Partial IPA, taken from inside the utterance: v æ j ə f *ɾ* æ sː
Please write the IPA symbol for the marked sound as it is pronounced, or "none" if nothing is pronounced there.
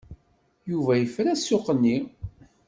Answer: ɾ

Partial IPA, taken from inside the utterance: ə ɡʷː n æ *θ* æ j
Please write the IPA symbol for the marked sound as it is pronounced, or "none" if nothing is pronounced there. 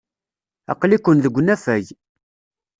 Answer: f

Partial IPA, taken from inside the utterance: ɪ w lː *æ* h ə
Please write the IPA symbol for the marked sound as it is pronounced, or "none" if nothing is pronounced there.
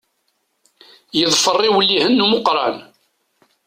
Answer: i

